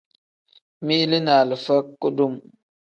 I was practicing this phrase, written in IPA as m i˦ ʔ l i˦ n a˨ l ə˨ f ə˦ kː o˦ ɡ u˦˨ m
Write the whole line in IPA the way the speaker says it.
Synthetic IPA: m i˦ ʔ l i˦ n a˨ l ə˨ f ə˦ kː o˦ d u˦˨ m